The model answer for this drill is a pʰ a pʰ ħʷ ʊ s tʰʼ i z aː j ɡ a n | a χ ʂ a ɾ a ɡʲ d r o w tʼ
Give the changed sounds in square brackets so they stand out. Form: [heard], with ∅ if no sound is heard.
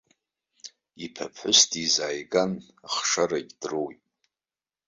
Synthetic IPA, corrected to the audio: [i] pʰ a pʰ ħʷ ʊ s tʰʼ i z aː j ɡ a n | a χ ʂ a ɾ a ɡʲ d r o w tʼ

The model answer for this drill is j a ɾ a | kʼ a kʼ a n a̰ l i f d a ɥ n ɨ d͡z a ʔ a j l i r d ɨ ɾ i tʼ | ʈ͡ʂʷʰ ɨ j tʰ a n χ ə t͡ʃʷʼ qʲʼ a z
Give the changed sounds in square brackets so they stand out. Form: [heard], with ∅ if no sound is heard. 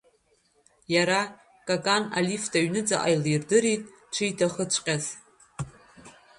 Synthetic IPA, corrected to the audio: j a ɾ a | kʼ a kʼ a n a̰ l i f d a ɥ n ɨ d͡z a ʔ a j l i r d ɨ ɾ i tʼ | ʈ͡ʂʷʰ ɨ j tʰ a [∅] χ ə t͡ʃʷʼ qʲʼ a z

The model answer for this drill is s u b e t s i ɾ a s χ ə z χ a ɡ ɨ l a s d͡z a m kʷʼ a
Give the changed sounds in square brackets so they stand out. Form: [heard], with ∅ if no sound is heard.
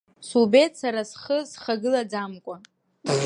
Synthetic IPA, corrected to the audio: s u b e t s [a] ɾ a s χ ə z χ a ɡ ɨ l a [∅] d͡z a m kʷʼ a

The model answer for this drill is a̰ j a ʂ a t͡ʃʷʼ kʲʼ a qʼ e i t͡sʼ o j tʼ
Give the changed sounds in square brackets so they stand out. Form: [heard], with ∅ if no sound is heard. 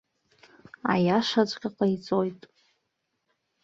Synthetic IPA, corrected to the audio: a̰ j a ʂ a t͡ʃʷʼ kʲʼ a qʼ [a] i t͡sʼ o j tʼ

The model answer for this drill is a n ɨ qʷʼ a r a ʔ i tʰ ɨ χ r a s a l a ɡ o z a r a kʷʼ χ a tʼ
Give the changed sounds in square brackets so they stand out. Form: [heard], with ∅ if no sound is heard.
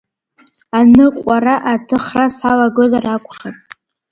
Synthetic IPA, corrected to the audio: a n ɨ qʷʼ a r a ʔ [a] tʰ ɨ χ r a s a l a ɡ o z a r a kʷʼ χ a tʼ

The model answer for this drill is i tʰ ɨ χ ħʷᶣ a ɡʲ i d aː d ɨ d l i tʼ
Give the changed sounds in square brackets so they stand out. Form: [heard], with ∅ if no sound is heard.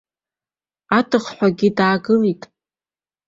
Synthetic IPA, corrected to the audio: [a] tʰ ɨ χ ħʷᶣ a ɡʲ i d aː [ɡ] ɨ [∅] l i tʼ

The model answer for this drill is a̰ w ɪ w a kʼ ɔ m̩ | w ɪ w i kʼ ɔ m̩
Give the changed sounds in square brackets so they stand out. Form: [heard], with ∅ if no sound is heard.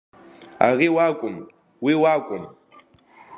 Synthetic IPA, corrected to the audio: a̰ [ɣ] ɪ w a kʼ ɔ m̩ | w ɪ w [a] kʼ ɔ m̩

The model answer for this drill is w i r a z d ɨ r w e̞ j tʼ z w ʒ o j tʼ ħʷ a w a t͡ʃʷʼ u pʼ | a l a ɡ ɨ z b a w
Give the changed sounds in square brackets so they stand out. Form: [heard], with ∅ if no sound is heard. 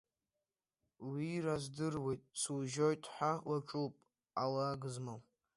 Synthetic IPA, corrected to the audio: w i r a z d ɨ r w e̞ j tʼ [s] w ʒ o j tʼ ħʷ a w a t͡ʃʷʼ u pʼ | a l a ɡ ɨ z [m] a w

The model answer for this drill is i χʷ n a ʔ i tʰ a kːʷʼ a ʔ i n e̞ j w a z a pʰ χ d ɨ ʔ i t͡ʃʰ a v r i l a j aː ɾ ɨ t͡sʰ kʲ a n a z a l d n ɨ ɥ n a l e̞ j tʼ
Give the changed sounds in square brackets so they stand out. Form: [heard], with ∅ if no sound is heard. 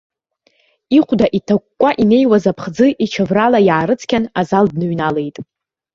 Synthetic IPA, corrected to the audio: i χʷ [d] a ʔ i tʰ a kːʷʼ a ʔ i n e̞ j w a z a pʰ χ [d͡z] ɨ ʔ i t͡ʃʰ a v r [a] l a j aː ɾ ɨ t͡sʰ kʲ a n a z a l d n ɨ ɥ n a l e̞ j tʼ

